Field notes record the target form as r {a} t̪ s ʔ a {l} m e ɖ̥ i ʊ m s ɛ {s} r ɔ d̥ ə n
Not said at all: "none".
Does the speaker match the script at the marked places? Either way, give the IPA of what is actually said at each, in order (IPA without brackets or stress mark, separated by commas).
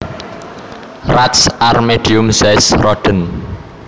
a, r, s